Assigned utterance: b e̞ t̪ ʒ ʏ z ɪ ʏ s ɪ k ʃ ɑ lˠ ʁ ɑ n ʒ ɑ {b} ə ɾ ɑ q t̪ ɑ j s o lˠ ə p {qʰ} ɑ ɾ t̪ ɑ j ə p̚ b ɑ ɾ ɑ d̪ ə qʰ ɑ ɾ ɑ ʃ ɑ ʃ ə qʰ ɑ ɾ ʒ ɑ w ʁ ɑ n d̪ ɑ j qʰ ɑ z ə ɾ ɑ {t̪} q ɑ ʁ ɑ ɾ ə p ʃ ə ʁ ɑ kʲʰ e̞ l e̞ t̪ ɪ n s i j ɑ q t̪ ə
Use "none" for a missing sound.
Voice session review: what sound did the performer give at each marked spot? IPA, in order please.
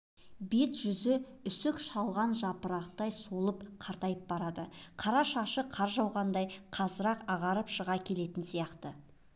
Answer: p, qʰ, none

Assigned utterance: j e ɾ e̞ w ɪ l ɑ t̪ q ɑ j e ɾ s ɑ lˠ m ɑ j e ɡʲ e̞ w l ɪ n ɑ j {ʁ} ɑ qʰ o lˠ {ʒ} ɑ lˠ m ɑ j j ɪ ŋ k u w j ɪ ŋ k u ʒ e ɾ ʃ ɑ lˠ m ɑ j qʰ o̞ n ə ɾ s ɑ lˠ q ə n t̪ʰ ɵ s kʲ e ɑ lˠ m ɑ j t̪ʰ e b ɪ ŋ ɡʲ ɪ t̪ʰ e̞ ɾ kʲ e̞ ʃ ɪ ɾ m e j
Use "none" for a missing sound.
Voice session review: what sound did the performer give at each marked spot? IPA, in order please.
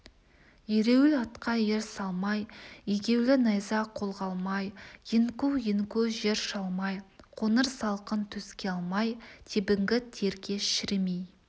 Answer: z, ʁ

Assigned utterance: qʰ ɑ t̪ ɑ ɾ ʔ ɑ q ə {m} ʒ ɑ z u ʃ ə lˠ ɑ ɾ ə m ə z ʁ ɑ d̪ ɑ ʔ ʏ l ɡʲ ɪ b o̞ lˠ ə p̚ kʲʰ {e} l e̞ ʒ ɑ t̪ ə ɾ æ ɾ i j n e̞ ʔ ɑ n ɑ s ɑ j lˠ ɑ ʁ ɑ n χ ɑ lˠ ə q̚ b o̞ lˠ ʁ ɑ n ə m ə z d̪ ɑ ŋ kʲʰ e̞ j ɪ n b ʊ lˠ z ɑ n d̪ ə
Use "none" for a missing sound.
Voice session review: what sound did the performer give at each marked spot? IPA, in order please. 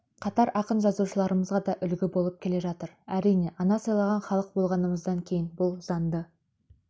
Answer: n, e

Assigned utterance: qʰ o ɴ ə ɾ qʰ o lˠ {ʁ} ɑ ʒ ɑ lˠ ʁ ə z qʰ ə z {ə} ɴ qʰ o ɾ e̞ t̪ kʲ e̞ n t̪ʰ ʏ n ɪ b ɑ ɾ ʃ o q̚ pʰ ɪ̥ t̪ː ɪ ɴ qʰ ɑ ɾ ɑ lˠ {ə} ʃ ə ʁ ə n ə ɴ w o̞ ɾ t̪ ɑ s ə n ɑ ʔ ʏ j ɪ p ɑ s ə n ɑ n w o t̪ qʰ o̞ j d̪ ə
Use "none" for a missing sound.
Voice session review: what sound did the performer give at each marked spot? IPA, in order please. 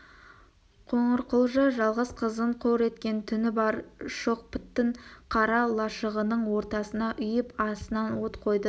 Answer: ʒ, ə, ɑ

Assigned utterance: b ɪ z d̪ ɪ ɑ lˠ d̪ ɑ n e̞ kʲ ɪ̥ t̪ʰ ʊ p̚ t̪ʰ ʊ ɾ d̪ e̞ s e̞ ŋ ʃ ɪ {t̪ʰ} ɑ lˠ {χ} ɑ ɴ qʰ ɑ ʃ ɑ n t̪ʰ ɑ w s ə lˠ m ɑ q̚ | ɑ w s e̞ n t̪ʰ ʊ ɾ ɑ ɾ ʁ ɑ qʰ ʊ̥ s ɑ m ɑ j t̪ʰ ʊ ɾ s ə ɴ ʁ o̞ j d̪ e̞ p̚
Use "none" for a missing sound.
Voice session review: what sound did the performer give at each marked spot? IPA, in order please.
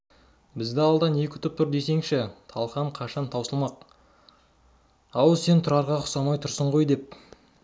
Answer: t̪ʰ, χ

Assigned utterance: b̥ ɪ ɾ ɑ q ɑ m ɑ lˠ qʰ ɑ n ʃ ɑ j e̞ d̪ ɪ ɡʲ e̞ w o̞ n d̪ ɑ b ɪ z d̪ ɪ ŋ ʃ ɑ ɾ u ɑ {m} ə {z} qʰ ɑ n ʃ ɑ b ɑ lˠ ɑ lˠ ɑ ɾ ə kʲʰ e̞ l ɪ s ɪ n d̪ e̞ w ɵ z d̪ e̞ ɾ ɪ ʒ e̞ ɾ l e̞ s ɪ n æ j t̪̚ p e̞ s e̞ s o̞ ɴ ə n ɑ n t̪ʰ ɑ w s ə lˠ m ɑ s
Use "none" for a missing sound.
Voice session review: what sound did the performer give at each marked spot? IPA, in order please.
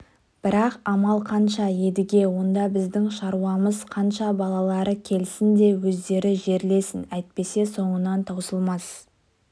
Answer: m, z

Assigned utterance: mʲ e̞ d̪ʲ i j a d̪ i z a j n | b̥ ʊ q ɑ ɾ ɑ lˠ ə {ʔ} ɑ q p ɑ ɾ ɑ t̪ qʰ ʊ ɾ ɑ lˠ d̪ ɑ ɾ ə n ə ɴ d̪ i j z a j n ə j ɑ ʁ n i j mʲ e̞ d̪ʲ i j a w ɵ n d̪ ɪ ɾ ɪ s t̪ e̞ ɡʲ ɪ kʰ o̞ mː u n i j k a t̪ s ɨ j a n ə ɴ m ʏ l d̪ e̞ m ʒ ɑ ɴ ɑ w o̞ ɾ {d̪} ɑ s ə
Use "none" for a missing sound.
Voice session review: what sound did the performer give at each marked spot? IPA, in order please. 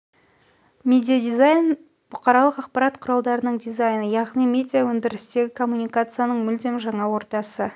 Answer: q, t̪

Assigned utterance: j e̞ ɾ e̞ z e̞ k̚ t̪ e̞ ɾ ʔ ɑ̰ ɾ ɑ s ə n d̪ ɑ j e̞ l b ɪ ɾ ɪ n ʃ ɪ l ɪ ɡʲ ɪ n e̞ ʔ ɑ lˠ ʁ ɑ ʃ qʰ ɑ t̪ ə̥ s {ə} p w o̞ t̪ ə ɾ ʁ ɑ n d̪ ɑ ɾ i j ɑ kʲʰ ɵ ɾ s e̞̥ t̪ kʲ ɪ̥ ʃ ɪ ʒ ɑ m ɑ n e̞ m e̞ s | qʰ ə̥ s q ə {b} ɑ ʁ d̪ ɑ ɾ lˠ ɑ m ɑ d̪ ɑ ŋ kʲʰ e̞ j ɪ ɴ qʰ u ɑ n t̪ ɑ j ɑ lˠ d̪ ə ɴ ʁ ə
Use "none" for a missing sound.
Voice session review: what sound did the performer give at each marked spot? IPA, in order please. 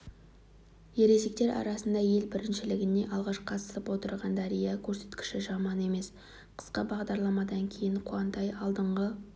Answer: ə, b

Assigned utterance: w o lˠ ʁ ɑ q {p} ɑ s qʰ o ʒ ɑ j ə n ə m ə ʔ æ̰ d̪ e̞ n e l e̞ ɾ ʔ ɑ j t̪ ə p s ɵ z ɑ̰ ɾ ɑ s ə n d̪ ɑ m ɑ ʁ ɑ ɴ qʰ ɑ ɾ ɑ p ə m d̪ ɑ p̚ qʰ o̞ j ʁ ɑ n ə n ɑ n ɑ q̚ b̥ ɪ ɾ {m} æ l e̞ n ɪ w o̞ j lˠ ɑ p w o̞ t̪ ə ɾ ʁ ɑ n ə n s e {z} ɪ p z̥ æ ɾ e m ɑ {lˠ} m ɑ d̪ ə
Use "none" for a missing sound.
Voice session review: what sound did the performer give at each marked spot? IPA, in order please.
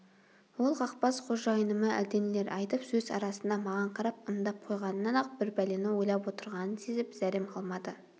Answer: p, b, z, lˠ

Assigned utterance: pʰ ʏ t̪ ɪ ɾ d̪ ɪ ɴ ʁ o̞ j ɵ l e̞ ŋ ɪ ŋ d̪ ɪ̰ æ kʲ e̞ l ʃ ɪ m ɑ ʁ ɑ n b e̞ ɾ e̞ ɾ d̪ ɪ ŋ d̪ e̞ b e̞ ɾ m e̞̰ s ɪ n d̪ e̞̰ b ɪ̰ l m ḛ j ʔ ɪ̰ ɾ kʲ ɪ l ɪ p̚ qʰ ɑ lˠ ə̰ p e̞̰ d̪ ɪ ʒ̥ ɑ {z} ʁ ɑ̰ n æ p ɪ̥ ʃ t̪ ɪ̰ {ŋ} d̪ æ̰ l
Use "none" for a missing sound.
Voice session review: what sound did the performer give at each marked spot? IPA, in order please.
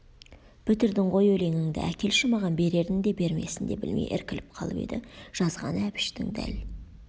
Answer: z, ŋ

